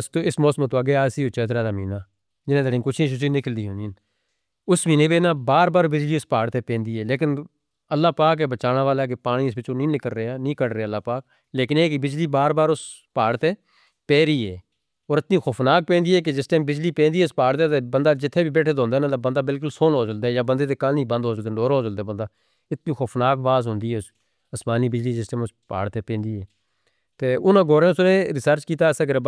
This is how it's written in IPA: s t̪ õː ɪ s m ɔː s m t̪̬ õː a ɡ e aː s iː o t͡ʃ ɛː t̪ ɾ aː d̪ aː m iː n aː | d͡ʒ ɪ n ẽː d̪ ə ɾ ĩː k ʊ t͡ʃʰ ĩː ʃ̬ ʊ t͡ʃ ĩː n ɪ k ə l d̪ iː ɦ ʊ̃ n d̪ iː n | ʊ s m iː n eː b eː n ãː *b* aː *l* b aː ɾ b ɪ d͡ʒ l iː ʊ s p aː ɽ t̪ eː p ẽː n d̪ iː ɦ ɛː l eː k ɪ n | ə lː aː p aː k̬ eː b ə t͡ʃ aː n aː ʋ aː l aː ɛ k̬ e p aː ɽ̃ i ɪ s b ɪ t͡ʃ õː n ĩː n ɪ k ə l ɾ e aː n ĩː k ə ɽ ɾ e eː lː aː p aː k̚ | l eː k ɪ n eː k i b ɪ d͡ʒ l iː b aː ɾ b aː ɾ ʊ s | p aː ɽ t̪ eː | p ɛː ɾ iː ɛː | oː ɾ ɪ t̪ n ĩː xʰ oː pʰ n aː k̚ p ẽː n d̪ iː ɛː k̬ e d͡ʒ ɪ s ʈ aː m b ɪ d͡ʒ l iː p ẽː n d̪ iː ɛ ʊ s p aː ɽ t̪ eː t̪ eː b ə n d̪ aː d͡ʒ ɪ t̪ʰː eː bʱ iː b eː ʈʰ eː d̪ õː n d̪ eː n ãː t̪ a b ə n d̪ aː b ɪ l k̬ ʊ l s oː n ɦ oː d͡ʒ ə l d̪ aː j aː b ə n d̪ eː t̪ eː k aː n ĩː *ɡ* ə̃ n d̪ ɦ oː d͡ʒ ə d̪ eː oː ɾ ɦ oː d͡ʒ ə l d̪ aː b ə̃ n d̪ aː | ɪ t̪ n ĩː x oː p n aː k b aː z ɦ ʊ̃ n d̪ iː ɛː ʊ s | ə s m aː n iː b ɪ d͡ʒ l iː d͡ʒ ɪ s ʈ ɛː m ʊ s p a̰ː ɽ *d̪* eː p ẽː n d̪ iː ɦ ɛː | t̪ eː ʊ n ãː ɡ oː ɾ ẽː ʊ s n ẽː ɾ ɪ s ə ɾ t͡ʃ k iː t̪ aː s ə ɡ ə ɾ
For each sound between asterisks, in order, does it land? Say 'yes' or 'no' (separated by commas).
yes, no, no, no